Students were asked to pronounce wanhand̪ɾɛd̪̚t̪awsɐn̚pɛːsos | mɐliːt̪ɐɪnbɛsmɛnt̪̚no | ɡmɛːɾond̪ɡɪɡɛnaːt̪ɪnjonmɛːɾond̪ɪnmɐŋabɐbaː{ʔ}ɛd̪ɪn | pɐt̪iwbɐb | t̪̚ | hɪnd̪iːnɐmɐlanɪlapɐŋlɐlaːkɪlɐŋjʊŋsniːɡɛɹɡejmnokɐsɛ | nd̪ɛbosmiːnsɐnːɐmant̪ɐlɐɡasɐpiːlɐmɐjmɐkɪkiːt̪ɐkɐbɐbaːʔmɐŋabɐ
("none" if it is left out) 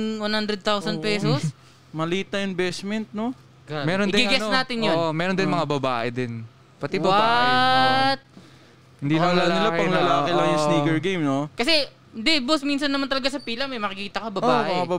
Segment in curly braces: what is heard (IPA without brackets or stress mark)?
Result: ʔ